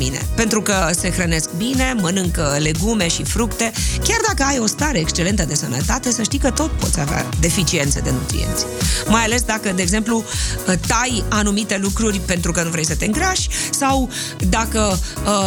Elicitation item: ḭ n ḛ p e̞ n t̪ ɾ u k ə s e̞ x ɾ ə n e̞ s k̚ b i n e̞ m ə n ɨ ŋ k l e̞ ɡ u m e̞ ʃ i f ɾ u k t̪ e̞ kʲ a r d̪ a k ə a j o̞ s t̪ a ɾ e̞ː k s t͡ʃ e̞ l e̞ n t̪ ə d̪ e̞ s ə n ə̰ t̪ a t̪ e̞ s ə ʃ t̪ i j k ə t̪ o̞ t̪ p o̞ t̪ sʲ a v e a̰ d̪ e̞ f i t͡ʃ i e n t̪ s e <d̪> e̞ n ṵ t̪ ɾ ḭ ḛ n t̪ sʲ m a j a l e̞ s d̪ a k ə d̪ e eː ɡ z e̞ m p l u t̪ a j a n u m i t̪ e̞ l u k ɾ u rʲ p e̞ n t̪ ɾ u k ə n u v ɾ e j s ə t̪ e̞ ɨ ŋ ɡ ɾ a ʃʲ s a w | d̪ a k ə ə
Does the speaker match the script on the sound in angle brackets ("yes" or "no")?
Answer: yes